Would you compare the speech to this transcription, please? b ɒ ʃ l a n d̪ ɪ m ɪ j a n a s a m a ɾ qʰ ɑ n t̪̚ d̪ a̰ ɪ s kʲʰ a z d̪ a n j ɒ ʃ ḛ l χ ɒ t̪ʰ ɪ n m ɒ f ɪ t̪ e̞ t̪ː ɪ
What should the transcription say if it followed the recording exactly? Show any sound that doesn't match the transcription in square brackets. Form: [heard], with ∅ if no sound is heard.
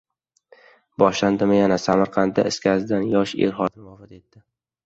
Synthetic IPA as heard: b ɒ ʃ l a n d̪ ɪ m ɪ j a n a s a m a ɾ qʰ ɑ n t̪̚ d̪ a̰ ɪ s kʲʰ a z d̪ a n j ɒ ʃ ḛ [ɾ] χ ɒ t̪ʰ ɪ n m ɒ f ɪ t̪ e̞ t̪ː ɪ